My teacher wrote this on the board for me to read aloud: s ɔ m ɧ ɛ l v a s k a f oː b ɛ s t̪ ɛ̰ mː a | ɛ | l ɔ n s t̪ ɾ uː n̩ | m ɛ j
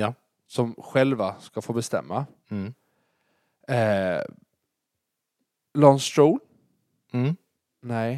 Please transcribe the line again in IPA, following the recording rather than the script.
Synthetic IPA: s ɔ m ɧ ɛ l v a s k a f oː b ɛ s t̪ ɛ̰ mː a | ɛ | l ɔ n s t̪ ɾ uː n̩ | n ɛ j